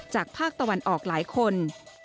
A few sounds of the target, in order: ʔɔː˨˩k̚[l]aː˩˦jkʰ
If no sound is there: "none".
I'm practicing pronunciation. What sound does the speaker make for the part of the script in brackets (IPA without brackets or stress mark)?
l